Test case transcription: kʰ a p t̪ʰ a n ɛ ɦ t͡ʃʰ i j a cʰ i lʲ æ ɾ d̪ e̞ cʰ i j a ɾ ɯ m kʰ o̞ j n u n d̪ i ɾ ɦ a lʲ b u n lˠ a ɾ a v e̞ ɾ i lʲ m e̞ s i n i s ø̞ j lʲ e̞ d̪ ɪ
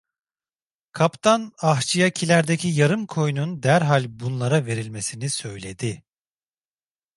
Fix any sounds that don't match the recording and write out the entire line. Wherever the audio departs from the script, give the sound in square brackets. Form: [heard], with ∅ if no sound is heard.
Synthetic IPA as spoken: kʰ a p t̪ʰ a n [a] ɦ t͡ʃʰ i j a cʰ i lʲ æ ɾ d̪ e̞ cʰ i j a ɾ ɯ m kʰ o̞ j n u n d̪ [æ] ɾ ɦ a lʲ b u n lˠ a ɾ a v e̞ ɾ i lʲ m e̞ s i n i s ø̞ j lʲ e̞ d̪ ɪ